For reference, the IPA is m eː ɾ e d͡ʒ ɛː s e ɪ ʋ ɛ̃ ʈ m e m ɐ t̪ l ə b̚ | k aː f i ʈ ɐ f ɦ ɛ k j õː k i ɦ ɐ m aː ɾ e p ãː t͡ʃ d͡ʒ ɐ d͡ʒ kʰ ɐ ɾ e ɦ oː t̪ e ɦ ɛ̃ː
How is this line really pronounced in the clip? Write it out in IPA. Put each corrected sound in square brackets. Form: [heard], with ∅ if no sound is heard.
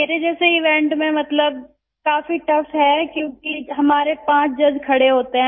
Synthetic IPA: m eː ɾ e d͡ʒ ɛː s e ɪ ʋ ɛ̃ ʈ m [ẽ] m ɐ t̪ l ə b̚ | k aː f i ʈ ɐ f ɦ ɛ k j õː k i ɦ ɐ m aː ɾ e p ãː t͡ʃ d͡ʒ ɐ d͡ʒ kʰ ɐ [ɽ] e ɦ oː t̪ e ɦ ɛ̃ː